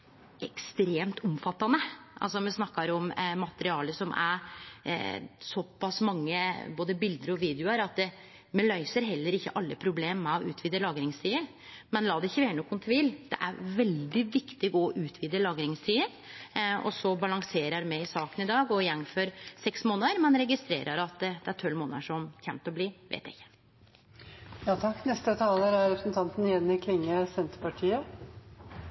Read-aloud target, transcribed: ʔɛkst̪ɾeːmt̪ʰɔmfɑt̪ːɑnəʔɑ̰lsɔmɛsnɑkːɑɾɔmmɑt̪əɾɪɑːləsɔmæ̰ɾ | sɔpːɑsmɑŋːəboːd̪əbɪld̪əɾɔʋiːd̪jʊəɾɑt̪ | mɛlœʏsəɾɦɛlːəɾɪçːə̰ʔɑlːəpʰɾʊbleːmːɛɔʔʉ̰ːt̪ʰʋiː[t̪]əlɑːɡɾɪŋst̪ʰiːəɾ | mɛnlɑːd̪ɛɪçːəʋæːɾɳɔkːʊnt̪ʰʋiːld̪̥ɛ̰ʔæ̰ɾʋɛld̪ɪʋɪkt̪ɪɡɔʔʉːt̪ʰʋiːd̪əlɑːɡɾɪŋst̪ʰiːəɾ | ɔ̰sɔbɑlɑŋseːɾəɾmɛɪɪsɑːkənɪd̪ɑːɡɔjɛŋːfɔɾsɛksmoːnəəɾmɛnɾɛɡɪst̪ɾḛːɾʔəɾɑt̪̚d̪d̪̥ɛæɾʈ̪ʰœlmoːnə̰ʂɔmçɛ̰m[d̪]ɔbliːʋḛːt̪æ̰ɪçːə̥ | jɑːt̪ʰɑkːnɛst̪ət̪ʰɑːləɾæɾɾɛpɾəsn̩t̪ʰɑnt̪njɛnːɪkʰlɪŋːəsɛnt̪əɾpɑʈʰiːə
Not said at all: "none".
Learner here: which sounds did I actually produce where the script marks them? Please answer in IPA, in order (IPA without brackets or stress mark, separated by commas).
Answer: d̪, t̪